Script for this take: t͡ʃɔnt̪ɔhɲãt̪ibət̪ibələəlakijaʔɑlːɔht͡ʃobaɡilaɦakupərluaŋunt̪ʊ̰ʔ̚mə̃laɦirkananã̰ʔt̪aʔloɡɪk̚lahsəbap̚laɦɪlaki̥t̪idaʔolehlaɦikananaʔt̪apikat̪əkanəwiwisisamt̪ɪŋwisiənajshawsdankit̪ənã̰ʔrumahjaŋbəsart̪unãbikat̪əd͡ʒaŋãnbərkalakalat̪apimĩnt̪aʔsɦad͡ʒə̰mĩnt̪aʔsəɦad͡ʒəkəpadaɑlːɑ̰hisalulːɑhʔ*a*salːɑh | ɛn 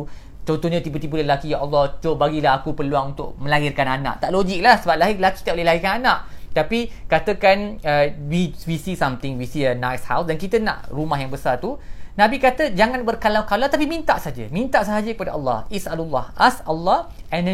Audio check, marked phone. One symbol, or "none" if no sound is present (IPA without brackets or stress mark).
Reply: a